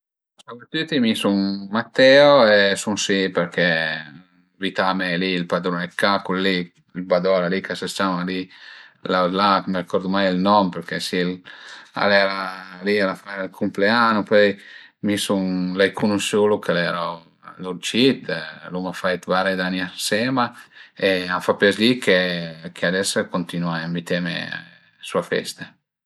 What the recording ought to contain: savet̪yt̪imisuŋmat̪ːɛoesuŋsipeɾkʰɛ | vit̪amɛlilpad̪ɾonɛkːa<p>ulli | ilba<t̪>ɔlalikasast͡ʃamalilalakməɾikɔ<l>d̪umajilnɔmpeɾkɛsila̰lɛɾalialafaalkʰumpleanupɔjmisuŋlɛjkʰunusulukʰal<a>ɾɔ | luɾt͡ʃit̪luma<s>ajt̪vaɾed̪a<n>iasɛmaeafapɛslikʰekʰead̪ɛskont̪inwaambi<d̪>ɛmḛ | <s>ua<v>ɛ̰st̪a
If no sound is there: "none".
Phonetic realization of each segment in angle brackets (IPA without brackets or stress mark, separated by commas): k, d̪, ɾ, ɛ, f, n, t̪, s, f